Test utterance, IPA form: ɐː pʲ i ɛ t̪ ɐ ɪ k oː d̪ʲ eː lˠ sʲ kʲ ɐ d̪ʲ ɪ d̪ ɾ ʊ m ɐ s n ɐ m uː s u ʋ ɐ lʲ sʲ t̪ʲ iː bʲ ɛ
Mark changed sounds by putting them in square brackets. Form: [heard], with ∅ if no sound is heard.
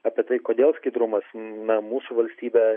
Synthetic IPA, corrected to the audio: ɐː pʲ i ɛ t̪ ɐ ɪ k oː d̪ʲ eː lˠ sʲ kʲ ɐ [∅] ɪ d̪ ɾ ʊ m ɐ s n ɐ m uː s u ʋ ɐ lʲ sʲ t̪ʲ iː bʲ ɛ